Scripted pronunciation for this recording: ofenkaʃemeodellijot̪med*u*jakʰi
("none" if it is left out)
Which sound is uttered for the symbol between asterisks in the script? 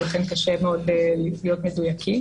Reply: u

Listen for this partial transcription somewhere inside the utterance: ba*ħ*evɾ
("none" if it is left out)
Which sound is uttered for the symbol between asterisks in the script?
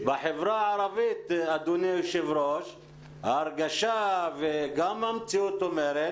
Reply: ħ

